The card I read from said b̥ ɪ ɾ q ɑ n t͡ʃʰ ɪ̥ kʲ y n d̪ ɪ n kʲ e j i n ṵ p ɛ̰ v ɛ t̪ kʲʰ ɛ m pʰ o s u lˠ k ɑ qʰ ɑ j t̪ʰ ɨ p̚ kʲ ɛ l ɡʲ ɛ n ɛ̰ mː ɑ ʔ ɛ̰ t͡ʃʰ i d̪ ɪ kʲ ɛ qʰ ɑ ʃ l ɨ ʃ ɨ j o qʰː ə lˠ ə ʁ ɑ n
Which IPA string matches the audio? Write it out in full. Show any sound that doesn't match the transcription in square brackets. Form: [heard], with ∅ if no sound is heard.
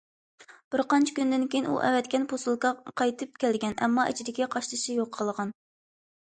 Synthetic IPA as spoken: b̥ ɪ ɾ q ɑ n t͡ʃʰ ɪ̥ kʲ y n d̪ ɪ n kʲ e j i n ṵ [ʔ] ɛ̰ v ɛ t̪ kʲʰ ɛ [n] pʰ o s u lˠ k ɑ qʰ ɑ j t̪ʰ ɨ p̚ kʲ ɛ l ɡʲ ɛ n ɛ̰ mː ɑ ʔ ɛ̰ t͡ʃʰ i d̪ ɪ kʲ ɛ qʰ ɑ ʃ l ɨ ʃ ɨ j o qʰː ə lˠ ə ʁ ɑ n